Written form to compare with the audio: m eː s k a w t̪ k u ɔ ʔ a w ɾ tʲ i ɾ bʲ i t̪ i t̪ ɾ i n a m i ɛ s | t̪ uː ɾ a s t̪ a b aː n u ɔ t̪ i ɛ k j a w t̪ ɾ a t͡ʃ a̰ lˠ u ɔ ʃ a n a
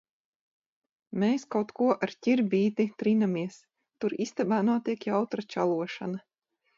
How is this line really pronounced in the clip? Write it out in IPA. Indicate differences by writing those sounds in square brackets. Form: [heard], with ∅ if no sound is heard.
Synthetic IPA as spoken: m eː s k a w t̪ k u ɔ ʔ a [∅] ɾ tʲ i ɾ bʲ [iː] t̪ i t̪ ɾ i n a m i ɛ s | t̪ [u] ɾ [i] s t̪ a b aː n u ɔ t̪ i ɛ k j a w t̪ ɾ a t͡ʃ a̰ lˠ u ɔ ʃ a n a